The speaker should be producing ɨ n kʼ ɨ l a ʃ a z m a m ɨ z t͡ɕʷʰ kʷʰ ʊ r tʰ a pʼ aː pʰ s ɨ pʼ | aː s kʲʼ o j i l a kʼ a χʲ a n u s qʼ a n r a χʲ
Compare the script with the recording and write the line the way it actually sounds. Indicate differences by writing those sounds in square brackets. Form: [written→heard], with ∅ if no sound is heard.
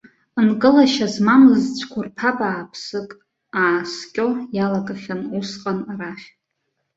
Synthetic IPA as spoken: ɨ n kʼ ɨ l a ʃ a z m a m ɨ z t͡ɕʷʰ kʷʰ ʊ r [tʰ→pʰ] a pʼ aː pʰ s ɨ [pʼ→kʼ] | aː s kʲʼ o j [i→a] l a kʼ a χʲ a n u s qʼ a n r a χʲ